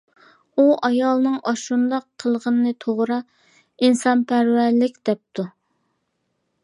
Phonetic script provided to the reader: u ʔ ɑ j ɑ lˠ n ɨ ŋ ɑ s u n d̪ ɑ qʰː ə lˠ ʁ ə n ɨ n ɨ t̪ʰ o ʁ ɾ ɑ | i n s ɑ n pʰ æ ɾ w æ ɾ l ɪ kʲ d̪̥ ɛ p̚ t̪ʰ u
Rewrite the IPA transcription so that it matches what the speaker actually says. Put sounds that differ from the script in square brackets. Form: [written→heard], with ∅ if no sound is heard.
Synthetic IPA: u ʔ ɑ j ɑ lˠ n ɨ ŋ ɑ [s→ʃ] u n d̪ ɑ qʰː ə lˠ ʁ ə n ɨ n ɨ t̪ʰ o ʁ ɾ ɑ | i n s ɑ n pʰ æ ɾ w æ ɾ l ɪ kʲ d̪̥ ɛ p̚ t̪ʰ u